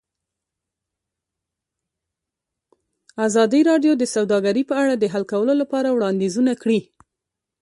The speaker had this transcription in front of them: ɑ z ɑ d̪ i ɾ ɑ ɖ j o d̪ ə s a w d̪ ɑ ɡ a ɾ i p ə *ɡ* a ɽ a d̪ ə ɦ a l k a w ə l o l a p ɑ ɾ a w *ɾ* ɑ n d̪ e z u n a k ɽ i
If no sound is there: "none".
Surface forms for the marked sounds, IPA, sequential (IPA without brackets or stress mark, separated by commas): none, ɽ